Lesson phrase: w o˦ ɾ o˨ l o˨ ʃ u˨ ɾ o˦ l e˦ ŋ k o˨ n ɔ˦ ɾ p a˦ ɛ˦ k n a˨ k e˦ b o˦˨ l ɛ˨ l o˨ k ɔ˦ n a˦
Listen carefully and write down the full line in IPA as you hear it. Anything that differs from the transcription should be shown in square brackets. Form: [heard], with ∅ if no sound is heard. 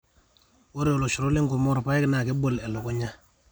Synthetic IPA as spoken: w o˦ ɾ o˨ l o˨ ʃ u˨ ɾ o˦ l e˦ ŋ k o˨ [m] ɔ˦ ɾ p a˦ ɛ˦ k n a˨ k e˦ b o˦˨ l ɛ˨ l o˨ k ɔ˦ [ɲ] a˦